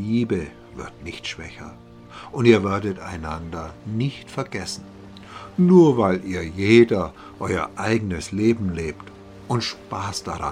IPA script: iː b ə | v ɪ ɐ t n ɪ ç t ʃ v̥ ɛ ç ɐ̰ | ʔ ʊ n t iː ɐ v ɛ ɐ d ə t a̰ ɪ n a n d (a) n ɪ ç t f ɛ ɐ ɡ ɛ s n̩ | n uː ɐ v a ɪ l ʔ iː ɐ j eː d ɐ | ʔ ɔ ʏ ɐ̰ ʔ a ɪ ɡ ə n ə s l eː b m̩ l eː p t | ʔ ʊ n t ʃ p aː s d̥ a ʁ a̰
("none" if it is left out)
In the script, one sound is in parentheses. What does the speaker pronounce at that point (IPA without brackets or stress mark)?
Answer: ɐ